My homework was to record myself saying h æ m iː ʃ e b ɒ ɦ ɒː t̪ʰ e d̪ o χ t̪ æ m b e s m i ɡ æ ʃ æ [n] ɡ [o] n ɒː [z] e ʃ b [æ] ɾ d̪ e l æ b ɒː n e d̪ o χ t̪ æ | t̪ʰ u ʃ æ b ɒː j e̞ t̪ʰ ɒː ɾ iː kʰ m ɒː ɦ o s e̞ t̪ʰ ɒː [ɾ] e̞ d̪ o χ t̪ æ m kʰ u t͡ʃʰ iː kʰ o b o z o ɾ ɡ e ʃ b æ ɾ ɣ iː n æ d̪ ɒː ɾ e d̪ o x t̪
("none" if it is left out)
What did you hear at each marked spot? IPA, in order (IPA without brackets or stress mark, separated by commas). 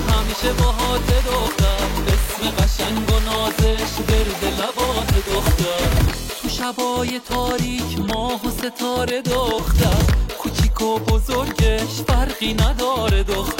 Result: ŋ, o, z, e, ɾ